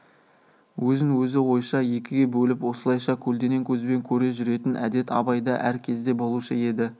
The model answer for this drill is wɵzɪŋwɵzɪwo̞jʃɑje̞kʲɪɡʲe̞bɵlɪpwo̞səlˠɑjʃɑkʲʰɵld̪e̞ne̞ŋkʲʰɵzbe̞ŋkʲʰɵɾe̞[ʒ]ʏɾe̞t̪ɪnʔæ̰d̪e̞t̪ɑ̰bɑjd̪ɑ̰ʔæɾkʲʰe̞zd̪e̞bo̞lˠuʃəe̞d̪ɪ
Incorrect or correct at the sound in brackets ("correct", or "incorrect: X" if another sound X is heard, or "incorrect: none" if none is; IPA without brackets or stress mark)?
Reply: correct